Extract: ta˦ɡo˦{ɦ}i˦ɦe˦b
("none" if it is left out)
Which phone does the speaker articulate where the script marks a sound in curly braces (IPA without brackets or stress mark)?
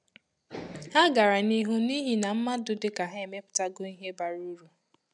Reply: none